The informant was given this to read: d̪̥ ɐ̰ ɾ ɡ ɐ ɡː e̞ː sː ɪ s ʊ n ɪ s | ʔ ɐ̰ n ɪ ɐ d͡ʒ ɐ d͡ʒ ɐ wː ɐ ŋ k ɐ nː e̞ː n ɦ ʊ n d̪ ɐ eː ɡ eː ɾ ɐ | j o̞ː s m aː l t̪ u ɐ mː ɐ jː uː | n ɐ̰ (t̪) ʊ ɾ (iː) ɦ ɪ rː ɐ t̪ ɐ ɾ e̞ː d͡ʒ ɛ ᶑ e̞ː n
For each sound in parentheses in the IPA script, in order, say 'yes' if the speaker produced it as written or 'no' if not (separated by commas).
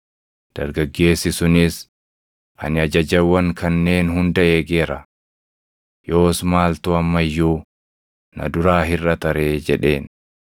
no, no